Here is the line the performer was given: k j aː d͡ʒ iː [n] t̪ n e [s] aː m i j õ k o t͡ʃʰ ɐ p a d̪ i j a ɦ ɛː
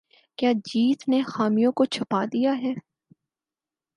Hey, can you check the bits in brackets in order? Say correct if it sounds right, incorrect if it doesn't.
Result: incorrect: none, incorrect: x

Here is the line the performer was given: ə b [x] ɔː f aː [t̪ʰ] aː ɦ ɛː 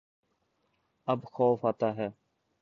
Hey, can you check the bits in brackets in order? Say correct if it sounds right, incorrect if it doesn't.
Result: correct, incorrect: t̪

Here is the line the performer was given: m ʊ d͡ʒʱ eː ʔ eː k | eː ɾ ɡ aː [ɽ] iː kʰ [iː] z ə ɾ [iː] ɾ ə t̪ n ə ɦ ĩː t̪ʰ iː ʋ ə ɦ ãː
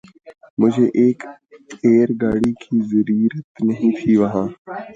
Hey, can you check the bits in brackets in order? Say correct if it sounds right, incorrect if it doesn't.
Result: correct, correct, correct

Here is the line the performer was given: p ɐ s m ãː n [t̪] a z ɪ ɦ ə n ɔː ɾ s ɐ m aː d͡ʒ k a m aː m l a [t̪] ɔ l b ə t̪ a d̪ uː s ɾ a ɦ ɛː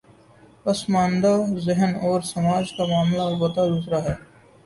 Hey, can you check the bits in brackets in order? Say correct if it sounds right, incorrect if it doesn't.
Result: incorrect: d̪, incorrect: none

